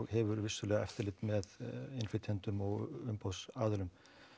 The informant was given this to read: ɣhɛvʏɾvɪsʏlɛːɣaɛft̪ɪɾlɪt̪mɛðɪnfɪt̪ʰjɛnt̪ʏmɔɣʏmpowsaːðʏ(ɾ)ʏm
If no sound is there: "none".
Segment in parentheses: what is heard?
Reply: l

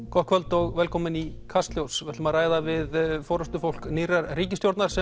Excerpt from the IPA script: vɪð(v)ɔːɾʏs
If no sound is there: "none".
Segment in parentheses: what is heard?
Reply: f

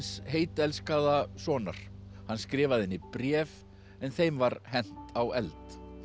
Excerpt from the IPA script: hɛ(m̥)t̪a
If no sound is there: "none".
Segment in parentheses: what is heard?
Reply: n̥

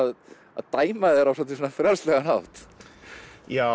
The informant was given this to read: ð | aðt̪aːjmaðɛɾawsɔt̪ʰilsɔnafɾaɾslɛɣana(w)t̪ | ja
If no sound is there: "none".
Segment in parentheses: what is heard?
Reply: w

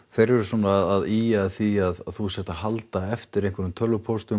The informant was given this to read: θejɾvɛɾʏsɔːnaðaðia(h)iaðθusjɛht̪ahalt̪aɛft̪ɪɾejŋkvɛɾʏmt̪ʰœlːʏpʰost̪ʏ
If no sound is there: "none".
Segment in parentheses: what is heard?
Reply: θ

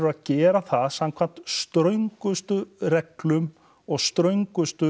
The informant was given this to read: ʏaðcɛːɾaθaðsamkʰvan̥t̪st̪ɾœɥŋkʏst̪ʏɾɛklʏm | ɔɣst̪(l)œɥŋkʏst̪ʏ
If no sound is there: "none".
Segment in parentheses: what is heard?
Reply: ɾ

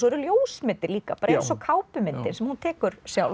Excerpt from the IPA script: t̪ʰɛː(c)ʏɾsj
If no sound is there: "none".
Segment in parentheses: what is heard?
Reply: k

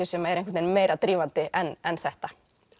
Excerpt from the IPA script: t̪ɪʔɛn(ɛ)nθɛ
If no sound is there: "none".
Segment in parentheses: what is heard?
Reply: ɛ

